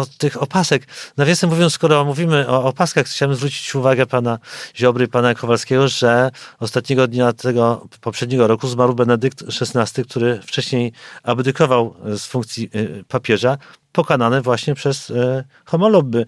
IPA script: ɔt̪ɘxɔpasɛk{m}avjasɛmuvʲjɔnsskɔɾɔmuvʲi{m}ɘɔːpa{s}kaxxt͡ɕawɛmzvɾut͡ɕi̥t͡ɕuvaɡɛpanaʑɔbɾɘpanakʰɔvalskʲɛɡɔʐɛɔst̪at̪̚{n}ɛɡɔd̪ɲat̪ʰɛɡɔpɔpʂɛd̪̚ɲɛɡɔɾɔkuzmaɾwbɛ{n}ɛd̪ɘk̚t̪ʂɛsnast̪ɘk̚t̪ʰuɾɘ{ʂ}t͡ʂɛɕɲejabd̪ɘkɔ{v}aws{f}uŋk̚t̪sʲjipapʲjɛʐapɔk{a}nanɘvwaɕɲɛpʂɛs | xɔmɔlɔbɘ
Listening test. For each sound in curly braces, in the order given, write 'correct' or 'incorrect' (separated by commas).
incorrect, correct, correct, incorrect, correct, incorrect, correct, correct, correct